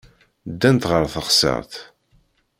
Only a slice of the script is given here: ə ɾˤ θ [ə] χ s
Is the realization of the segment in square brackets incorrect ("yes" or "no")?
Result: no